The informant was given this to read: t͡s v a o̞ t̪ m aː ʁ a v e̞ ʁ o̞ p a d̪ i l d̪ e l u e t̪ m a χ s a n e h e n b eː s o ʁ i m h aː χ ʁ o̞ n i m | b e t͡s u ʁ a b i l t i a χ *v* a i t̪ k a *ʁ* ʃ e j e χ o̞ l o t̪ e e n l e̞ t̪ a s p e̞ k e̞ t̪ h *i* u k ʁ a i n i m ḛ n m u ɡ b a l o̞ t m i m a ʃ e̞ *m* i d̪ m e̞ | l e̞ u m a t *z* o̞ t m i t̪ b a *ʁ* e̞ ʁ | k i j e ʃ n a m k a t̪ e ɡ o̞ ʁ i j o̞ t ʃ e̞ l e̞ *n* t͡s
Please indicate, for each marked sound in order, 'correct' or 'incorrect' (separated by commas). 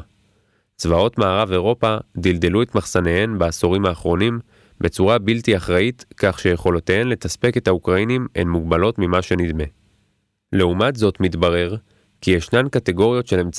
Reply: incorrect, incorrect, incorrect, incorrect, correct, correct, incorrect